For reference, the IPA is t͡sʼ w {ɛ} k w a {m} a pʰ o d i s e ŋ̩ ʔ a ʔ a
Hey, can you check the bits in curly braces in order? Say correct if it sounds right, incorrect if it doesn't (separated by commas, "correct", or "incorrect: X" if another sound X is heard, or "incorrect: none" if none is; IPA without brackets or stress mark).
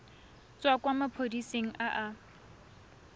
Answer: incorrect: a, correct